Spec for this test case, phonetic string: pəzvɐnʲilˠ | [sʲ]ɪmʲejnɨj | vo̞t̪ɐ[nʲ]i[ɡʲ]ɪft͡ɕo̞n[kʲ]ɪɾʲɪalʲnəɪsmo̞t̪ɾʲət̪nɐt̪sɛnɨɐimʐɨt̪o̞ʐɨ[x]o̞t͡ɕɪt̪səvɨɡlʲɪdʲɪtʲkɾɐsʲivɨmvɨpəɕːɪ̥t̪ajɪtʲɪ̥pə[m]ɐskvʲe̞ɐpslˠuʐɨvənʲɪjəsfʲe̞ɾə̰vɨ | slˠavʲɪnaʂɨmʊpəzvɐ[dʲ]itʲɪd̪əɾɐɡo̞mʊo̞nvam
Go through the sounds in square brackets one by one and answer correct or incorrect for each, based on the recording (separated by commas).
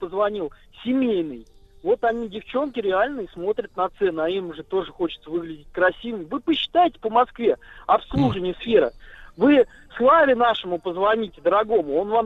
correct, correct, incorrect, correct, correct, correct, incorrect